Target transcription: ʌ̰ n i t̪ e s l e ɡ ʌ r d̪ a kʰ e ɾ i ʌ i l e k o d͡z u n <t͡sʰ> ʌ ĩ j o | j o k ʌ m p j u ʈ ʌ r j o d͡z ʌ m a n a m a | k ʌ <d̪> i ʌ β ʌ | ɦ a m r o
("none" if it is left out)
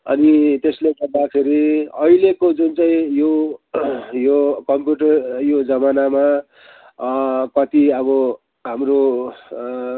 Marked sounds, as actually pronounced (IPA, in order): t͡s, t̪

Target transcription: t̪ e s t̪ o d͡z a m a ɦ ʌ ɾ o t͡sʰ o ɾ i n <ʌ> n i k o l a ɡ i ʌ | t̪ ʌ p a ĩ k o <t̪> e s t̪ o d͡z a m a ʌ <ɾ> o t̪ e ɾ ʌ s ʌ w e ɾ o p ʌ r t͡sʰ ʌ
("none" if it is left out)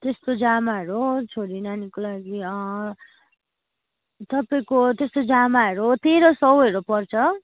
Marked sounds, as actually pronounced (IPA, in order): a, t̪, ɾ

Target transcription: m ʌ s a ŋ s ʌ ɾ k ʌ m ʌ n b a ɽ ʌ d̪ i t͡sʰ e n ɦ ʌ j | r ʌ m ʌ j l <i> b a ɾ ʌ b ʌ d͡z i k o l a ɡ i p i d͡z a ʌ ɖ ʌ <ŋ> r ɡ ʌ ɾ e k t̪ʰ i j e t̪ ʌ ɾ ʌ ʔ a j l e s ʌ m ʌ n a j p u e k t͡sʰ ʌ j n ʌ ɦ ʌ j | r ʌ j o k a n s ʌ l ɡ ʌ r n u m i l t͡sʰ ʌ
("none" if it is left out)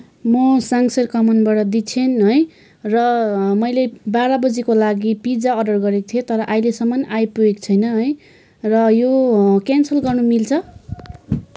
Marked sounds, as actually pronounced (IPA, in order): e, none

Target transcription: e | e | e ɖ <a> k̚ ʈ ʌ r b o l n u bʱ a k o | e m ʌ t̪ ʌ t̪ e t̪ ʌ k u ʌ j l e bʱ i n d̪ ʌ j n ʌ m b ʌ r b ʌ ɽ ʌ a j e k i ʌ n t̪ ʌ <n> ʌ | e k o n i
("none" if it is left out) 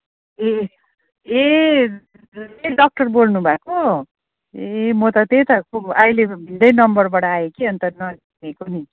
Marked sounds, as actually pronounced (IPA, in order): ʌ, n

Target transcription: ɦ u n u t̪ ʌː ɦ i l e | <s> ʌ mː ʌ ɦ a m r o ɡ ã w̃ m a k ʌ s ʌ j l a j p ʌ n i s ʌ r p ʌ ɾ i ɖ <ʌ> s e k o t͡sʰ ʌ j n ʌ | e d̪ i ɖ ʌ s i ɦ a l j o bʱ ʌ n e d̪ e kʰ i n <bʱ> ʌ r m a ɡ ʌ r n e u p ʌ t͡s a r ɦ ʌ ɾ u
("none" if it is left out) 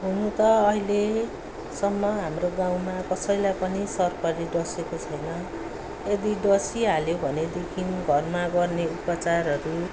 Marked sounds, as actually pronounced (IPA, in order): s, ʌ, ɡʱ

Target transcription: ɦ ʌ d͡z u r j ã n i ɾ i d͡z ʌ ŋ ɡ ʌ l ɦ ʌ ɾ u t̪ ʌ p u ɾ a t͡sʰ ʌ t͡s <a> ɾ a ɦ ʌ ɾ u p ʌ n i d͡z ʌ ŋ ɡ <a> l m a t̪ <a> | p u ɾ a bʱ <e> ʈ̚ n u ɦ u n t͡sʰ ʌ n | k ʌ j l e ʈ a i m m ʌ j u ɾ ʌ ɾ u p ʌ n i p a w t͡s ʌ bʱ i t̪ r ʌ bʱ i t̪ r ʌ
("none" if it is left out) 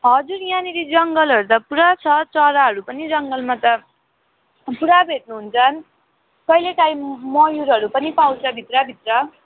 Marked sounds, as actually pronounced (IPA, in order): ʌ, ʌ, ʌ, e

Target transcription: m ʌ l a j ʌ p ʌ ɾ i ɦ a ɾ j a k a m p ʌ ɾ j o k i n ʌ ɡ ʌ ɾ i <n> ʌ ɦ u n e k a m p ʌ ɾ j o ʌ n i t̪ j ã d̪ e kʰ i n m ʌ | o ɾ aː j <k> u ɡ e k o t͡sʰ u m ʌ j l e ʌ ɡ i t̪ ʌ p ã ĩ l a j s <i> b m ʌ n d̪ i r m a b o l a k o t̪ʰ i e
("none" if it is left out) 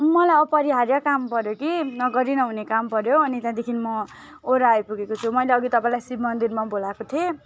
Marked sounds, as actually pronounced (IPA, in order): n, p, i

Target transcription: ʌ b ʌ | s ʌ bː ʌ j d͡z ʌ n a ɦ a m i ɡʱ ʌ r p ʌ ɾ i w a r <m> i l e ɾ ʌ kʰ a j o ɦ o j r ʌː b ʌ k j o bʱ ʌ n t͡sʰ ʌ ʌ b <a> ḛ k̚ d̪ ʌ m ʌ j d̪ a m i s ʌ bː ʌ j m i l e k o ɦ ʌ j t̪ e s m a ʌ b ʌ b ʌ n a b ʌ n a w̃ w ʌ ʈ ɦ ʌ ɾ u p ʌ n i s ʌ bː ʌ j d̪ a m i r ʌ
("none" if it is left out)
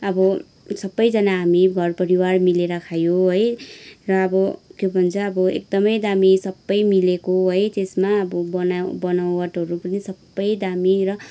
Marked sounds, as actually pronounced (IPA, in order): m, ʌ

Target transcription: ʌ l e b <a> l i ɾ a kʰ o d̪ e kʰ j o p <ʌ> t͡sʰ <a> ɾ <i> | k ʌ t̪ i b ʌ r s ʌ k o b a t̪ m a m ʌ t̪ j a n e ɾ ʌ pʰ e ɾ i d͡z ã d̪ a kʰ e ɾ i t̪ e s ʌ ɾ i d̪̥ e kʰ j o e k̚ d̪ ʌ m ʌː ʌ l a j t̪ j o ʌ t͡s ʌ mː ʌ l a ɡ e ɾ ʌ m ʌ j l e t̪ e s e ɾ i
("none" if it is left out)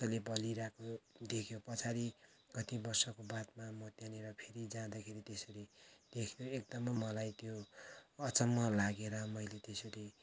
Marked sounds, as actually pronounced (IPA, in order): ʌ, ʌ, a, i

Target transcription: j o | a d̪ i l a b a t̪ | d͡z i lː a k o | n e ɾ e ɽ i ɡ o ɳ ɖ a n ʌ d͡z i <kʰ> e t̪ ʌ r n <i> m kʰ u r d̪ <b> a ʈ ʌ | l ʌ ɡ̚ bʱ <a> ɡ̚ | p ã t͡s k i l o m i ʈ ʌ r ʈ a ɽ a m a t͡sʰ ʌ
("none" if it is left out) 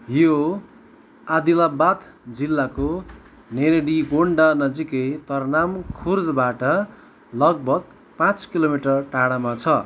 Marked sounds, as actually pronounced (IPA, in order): k, a, b, ʌ

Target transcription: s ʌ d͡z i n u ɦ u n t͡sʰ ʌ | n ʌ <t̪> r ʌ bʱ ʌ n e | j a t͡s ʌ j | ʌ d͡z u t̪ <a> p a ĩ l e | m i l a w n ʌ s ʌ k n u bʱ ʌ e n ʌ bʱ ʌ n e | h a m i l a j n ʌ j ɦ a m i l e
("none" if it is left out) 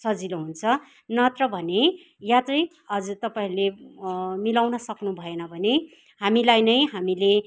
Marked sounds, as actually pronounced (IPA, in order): t̪, ʌ

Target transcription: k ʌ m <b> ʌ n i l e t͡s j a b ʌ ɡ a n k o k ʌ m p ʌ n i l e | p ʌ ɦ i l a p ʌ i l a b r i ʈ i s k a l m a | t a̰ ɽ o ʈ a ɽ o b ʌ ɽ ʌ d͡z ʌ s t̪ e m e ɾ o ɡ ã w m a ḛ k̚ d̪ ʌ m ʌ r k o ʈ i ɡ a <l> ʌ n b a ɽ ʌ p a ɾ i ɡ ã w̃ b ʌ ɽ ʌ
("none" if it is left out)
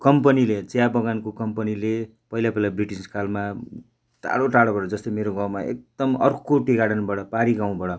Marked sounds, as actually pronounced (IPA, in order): p, ɽ

